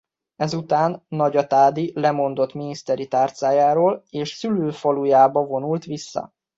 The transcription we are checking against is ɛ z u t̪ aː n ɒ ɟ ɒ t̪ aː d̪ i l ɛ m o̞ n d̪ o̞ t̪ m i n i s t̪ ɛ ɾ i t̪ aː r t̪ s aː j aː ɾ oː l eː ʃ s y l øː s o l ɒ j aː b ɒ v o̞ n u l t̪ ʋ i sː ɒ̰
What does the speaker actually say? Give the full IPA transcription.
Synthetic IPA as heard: ɛ z u t̪ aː nː ɒ ɟ ɒ t̪ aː d̪ i l ɛ m o̞ n d̪ o̞ t̪ m i n i s t̪ ɛ ɾ i t̪ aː r t̪ s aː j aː ɾ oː l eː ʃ s y l øː f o l u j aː b ɒ v o̞ n u l t̪ ʋ i sː ɒ̰